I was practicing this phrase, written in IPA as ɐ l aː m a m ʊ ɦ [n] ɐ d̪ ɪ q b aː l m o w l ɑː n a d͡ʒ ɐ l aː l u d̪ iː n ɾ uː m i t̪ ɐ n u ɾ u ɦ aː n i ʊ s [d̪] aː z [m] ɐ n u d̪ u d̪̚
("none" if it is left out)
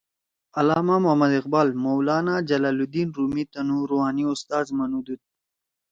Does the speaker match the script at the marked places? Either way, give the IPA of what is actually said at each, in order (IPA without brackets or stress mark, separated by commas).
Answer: m, t̪, m